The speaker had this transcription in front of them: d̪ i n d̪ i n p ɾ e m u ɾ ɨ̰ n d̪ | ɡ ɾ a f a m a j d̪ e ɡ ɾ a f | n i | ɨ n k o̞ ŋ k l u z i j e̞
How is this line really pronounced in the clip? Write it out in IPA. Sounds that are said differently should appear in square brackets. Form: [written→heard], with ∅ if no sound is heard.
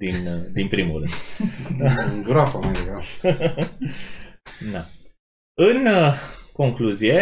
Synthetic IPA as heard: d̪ i n d̪ i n p ɾ [e→i] m u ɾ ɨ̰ n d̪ | ɡ ɾ a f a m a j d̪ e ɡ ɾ a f | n [i→a] | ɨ n k o̞ ŋ k l u z i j e̞